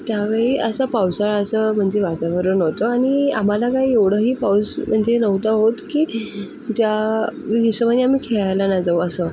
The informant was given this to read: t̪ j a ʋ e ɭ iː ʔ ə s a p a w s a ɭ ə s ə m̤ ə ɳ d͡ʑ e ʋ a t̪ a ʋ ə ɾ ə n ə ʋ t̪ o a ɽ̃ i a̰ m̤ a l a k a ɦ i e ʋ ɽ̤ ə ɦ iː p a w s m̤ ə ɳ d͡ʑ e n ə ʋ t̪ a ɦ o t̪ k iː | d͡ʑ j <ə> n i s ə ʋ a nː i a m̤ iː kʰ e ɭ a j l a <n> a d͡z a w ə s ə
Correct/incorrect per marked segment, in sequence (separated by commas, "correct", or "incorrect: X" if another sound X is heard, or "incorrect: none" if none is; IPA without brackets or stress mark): incorrect: a, correct